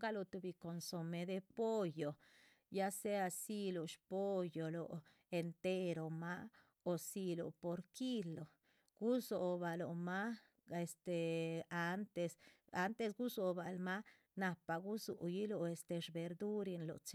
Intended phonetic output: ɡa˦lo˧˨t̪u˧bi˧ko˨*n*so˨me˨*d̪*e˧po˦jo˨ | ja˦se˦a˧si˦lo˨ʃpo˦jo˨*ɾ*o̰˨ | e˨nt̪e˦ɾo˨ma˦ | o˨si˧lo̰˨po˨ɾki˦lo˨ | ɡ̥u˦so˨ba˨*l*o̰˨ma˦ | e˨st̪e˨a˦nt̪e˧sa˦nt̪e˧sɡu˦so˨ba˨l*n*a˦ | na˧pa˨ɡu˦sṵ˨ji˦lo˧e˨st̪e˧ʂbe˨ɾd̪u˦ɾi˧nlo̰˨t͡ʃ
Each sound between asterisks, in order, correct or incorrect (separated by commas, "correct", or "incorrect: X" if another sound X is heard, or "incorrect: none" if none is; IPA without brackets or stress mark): correct, correct, incorrect: l, correct, incorrect: m